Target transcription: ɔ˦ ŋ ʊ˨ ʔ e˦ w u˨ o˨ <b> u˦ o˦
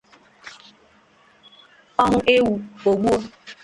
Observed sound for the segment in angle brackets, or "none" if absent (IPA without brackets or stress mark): ɡ͡b